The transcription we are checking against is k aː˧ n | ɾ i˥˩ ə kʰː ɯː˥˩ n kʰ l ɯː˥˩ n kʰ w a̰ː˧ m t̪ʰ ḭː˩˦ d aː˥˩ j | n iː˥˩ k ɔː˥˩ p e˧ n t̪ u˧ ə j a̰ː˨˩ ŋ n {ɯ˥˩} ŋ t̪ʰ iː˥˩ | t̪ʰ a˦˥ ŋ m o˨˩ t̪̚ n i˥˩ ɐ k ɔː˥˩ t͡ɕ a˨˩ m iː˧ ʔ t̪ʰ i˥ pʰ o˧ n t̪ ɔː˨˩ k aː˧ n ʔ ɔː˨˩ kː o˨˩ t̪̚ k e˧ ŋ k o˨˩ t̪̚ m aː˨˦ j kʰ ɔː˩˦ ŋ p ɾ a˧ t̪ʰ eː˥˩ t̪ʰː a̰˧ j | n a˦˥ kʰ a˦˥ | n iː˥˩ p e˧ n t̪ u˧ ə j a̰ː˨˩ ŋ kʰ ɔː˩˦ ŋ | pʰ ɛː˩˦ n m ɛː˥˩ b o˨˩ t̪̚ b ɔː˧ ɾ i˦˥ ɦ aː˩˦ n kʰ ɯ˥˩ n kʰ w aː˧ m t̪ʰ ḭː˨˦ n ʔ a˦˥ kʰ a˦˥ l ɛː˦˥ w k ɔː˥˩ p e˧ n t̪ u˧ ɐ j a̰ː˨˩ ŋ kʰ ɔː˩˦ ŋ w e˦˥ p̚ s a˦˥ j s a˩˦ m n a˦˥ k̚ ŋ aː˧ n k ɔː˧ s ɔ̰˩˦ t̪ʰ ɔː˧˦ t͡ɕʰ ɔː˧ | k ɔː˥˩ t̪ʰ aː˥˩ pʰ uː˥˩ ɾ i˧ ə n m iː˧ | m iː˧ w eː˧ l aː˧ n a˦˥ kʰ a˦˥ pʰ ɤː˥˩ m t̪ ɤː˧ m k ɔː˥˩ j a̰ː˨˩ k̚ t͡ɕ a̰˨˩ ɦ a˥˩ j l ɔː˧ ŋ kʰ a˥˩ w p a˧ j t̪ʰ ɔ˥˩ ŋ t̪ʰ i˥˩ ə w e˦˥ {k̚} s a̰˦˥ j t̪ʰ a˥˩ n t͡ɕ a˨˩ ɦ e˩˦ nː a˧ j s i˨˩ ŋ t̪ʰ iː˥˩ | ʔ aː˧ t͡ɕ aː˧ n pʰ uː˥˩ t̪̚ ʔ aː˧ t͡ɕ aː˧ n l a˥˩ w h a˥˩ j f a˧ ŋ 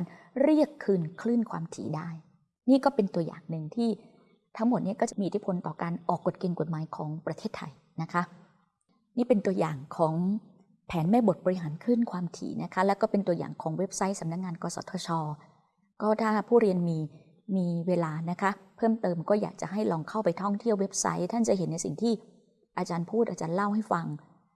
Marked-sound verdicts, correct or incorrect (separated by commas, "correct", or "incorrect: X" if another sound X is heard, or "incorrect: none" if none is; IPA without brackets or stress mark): incorrect: ɯ˨˧, incorrect: p̚